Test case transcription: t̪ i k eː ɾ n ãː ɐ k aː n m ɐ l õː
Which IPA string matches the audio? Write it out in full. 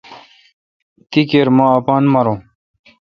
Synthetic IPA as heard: t̪ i k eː ɾ m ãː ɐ p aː n m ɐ ɾ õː